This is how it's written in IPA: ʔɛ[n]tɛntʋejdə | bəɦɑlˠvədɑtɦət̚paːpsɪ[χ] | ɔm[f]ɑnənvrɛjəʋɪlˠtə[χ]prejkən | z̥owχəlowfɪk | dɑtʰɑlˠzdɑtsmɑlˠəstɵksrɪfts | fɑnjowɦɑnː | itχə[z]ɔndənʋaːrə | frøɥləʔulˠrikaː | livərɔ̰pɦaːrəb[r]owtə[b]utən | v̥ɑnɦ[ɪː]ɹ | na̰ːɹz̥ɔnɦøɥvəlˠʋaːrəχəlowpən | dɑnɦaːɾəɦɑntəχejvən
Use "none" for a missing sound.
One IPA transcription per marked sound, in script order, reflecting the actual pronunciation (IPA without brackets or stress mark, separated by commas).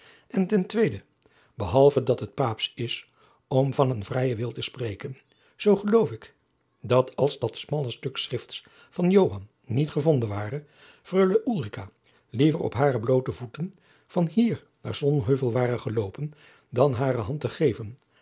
n, s, v, s, v, l, v, iː